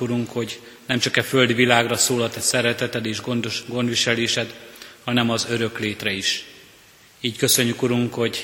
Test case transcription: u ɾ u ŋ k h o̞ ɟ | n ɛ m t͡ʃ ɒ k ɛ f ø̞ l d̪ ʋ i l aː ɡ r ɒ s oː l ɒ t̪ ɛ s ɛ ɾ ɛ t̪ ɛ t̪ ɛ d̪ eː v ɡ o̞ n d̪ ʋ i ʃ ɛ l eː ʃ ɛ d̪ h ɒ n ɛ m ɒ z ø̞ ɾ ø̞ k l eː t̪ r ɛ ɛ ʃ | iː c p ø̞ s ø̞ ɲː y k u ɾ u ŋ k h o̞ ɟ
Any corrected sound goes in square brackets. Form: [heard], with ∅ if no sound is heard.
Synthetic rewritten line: u ɾ u ŋ k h o̞ ɟ | n ɛ m t͡ʃ ɒ k ɛ f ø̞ l d̪ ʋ i l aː ɡ r ɒ s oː l ɒ t̪ ɛ s ɛ ɾ ɛ t̪ ɛ t̪ ɛ d̪ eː [ʒ] ɡ o̞ n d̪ ʋ i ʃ ɛ l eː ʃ ɛ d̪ h ɒ n ɛ m ɒ z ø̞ ɾ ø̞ k l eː t̪ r ɛ [i] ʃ | iː c [k] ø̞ s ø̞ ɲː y k u ɾ u ŋ k h o̞ ɟ